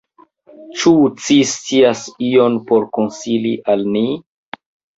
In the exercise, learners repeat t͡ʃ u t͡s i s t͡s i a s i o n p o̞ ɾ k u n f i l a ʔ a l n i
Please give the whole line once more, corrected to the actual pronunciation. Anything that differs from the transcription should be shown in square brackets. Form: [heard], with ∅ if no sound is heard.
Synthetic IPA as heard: t͡ʃ u t͡s i s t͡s i a s i o n p o̞ ɾ k [o] n [s] i l [i] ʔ a l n i